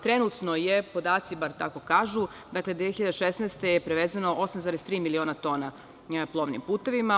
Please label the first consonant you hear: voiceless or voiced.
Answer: voiceless